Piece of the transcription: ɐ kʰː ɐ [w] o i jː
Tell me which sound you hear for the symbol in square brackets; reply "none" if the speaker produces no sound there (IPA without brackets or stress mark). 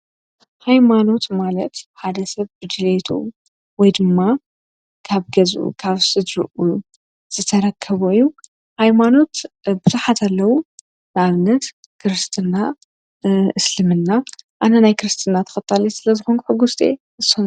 β